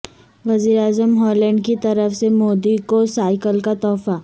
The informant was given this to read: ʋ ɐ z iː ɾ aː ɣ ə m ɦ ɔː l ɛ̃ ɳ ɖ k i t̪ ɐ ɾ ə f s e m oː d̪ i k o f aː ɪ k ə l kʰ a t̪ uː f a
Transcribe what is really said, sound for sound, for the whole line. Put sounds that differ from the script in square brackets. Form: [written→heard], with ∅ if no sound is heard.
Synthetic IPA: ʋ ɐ z iː ɾ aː [ɣ→z] ə m ɦ ɔː l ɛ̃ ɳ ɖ k i t̪ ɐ ɾ ə f s e m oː d̪ i k o [f→s] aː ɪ k ə l [kʰ→k] a t̪ [uː→ɔː] f a